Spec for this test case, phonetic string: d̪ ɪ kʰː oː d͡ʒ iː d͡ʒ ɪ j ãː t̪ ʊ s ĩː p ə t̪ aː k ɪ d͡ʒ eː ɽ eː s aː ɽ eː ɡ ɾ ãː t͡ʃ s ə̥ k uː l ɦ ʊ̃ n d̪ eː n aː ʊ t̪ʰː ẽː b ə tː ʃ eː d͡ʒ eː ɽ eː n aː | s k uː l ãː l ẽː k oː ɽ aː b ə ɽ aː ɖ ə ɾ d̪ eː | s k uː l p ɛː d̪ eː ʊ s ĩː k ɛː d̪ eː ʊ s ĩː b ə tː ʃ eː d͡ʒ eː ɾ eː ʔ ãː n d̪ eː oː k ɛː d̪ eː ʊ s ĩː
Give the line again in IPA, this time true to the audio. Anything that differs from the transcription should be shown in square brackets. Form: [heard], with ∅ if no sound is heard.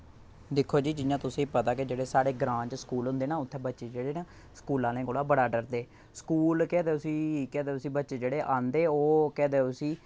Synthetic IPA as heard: d̪ ɪ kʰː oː d͡ʒ iː d͡ʒ ɪ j ãː t̪ ʊ s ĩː p ə t̪ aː k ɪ d͡ʒ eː ɽ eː s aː ɽ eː ɡ ɾ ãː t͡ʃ s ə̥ k uː l ɦ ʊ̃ n d̪ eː n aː ʊ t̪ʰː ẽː b ə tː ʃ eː d͡ʒ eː ɽ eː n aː | s k uː l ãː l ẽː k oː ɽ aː b ə ɽ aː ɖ ə ɾ d̪ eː | s k uː l [k] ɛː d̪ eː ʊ s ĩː k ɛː d̪ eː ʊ s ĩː b ə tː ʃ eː d͡ʒ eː [ɽ] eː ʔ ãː n d̪ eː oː k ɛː d̪ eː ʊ s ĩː